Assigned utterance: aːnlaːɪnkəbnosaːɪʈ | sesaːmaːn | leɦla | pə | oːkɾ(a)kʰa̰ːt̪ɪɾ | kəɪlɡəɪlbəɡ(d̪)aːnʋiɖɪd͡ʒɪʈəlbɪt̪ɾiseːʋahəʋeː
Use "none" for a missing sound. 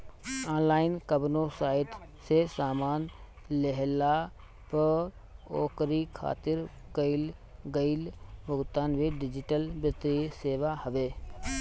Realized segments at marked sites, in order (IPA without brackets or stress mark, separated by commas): i, t̪